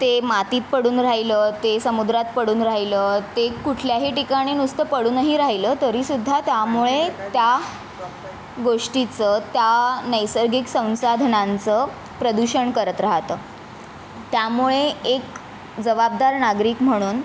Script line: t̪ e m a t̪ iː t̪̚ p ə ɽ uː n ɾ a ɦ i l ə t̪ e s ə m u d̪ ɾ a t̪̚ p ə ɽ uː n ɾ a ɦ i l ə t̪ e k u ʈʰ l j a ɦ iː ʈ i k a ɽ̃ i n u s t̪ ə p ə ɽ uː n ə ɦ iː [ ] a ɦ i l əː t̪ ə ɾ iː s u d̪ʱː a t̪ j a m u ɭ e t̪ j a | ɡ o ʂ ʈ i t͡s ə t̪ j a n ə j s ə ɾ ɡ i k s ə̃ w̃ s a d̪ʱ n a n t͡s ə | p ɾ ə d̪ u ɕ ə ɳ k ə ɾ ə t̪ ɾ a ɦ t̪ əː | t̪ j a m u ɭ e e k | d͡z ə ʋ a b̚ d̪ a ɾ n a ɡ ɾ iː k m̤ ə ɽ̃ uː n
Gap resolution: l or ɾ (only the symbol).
ɾ